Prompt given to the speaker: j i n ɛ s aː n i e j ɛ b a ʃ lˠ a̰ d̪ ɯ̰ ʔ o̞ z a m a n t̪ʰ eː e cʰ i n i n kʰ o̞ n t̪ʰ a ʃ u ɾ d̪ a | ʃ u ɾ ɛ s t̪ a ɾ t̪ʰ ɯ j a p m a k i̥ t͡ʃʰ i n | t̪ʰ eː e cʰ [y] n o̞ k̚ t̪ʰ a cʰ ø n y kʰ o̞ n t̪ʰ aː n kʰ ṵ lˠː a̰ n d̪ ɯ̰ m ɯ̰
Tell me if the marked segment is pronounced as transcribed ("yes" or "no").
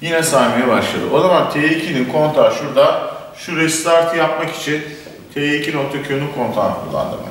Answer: no